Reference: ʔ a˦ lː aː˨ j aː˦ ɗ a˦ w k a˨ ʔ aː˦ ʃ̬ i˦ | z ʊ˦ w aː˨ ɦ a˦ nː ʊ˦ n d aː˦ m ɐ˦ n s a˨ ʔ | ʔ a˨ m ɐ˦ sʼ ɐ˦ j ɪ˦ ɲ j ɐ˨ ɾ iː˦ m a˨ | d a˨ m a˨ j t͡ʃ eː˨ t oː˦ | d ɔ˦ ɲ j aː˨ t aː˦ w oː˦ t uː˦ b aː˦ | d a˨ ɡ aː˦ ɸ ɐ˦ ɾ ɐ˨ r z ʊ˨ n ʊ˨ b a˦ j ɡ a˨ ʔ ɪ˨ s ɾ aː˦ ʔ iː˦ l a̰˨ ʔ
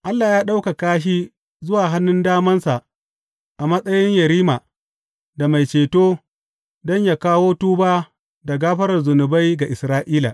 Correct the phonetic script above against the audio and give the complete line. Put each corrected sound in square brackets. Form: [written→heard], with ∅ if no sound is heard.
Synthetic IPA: ʔ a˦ lː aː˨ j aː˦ ɗ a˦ w k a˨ [ʔ→k] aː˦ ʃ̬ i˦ | z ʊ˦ w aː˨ ɦ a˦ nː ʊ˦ n d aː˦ m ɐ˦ n s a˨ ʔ | ʔ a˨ m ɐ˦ sʼ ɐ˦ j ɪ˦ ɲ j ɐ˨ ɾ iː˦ m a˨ | d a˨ m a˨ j t͡ʃ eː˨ t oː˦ | d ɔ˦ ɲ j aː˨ [t→k] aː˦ w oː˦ t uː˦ b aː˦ | d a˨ ɡ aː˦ ɸ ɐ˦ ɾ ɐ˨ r z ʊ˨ n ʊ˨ b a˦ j ɡ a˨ ʔ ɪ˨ s ɾ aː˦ ʔ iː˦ l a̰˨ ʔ